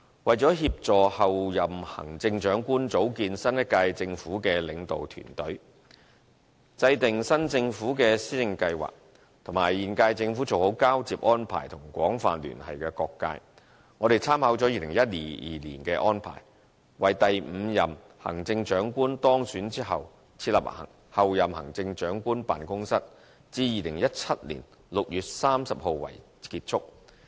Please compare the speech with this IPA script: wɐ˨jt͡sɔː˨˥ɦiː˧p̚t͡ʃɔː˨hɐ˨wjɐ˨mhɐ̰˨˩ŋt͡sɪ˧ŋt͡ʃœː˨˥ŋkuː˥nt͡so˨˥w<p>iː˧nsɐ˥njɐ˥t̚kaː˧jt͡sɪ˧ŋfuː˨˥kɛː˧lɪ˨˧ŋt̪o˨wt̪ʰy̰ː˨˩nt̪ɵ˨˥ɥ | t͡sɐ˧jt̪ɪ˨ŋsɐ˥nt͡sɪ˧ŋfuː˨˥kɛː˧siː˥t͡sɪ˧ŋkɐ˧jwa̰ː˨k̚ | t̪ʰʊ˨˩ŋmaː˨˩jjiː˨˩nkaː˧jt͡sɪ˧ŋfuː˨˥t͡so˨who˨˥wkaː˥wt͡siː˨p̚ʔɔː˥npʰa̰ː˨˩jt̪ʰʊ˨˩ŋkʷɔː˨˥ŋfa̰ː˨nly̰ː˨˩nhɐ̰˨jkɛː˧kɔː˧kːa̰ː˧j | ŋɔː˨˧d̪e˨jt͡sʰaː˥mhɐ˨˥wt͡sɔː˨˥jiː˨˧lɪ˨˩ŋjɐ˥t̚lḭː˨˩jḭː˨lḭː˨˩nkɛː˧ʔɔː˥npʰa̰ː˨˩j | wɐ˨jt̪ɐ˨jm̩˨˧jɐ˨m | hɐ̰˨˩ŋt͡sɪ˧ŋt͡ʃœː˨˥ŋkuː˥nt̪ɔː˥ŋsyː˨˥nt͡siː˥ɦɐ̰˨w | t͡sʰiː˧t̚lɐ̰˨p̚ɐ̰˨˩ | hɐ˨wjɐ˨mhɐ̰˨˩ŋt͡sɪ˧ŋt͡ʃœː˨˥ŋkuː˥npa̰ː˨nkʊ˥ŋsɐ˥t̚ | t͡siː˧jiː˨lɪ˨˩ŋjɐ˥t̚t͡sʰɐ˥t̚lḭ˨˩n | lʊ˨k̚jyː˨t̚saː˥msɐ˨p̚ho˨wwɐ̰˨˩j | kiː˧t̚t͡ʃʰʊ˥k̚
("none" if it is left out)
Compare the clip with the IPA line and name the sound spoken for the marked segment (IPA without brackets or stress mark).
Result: k